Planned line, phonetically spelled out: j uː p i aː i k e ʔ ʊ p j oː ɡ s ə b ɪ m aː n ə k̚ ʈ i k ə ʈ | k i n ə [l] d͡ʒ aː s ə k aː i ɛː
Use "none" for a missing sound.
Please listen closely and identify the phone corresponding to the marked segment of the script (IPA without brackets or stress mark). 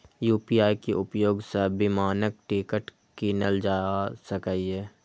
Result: l